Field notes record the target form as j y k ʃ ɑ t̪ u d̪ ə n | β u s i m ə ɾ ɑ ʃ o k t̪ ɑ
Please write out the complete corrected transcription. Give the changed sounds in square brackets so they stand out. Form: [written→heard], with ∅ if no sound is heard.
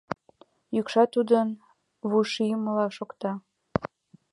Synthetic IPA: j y k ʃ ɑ t̪ u d̪ ə n | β u [s→ʃ] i m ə [ɾ→l] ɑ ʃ o k t̪ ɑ

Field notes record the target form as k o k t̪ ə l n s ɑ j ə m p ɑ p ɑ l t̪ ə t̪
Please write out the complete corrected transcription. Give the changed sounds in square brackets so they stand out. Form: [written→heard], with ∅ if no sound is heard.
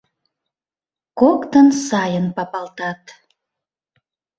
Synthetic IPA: k o k t̪ ə [l→∅] n s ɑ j ə [m→n] p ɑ p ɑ l t̪ [ə→ɑ] t̪

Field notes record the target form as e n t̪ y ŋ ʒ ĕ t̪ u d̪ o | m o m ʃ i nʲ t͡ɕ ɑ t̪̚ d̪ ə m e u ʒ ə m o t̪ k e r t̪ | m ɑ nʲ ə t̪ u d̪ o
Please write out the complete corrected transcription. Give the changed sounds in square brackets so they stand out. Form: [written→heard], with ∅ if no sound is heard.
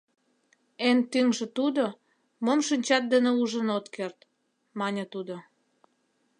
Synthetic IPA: e n t̪ y ŋ ʒ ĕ t̪ u d̪ o | m o m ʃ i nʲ t͡ɕ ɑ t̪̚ d̪ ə [m→n] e u ʒ ə [m→n] o t̪ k e r t̪ | m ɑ nʲ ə t̪ u d̪ o

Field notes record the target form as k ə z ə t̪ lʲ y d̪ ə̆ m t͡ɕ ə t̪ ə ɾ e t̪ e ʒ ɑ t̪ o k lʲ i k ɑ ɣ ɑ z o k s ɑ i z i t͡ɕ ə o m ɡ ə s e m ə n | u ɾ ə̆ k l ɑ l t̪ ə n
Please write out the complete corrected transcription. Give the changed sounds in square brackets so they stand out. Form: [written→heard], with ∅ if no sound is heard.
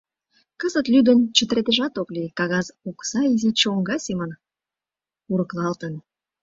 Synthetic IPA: k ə z ə t̪ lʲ y d̪ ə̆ [m→n] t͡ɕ ə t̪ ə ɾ e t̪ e ʒ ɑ t̪ o k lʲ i k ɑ ɣ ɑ z o k s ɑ i z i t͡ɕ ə o [m→ŋ] ɡ [ə→ɑ] s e m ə n | u ɾ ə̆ k l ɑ l t̪ ə n

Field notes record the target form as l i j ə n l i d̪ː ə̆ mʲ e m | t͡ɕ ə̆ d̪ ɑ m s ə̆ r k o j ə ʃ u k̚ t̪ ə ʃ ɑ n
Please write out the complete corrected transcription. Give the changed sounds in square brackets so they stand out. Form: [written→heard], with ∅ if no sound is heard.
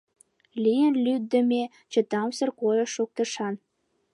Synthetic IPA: l i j ə n l [i→y] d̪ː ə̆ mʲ e [m→∅] | t͡ɕ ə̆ [d̪→t̪] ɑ m s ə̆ r k o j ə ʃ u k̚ t̪ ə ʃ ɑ n

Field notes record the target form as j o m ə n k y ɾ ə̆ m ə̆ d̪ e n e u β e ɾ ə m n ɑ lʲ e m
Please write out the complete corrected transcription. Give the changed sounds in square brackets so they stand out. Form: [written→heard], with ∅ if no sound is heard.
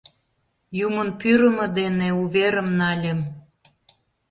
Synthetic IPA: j [o→u] m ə n [k→p] y ɾ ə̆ m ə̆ d̪ e n e u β e ɾ ə m n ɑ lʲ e m

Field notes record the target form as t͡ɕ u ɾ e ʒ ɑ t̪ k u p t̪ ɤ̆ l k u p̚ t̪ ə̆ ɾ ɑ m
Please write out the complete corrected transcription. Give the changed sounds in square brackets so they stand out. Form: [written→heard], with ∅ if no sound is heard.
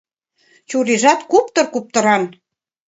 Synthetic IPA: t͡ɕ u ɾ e ʒ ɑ t̪ k u p t̪ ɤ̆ [l→r] k u p̚ t̪ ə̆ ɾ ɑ [m→n]

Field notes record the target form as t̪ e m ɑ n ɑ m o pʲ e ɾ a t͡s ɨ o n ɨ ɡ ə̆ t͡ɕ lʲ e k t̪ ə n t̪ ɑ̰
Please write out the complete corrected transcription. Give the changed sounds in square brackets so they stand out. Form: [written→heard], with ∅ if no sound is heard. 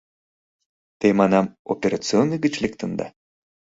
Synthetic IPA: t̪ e m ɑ n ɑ m o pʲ e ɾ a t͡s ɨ o n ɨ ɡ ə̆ t͡ɕ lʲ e k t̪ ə n [t̪→d̪] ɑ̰

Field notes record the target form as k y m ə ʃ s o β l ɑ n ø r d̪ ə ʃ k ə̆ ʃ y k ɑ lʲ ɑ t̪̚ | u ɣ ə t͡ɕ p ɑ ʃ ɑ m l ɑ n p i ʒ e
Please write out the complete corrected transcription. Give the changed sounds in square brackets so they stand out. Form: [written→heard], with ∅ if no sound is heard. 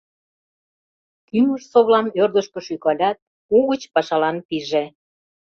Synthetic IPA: k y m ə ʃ s o β l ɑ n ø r d̪ ə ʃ k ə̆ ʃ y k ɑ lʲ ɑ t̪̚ | u ɣ ə t͡ɕ p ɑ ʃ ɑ [m→∅] l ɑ n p i ʒ e

